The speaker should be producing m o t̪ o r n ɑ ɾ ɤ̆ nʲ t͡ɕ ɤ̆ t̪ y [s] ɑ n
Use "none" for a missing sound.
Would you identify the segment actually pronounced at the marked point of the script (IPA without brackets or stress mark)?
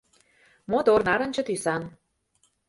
s